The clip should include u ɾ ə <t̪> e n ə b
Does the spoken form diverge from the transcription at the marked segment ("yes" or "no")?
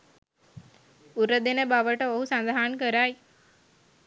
yes